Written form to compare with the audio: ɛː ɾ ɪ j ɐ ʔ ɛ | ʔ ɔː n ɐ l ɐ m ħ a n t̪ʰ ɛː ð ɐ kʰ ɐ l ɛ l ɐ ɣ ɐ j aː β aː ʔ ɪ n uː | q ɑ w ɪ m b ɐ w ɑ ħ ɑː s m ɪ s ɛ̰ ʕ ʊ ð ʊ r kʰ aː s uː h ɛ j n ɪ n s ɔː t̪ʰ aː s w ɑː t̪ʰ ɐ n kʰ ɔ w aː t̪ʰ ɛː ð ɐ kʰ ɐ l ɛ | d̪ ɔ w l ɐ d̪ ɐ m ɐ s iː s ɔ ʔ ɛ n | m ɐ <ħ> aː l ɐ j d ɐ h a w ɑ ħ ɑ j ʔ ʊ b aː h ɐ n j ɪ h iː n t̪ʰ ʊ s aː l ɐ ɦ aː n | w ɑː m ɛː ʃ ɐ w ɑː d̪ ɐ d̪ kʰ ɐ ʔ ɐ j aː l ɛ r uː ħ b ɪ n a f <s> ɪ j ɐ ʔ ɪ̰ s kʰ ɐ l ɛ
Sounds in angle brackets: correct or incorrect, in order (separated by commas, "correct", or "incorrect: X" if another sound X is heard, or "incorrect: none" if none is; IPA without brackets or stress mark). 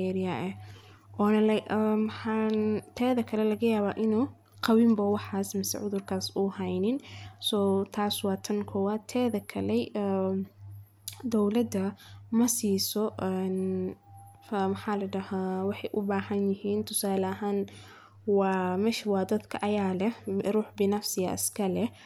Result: correct, correct